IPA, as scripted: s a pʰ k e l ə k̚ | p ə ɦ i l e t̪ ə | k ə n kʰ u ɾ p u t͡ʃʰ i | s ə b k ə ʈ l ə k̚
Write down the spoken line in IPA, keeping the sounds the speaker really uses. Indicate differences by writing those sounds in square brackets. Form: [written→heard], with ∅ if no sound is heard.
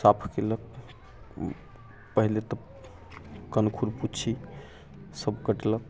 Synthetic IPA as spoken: s a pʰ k e l ə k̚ | p ə ɦ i l e t̪ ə | k ə n kʰ u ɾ p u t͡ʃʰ i | s ə b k ə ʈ l ə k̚